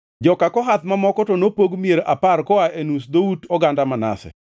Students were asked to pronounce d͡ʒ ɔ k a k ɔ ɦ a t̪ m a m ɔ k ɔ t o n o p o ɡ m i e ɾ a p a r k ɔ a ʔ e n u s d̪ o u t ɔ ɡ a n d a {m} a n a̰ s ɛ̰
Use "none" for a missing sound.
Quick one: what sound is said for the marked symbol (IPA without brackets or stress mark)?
m